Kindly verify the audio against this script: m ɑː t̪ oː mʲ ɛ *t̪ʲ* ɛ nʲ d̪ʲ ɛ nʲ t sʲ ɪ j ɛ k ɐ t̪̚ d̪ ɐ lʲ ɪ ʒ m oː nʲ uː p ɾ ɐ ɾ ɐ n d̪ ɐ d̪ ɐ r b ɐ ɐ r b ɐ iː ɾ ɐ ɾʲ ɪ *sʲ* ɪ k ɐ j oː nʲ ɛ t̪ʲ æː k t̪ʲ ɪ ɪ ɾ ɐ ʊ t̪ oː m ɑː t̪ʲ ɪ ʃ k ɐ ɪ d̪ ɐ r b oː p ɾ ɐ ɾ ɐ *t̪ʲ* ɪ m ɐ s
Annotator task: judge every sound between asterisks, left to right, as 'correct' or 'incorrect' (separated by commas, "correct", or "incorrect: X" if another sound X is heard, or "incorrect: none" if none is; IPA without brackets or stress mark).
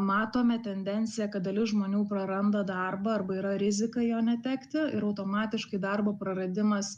correct, incorrect: zʲ, incorrect: d̪ʲ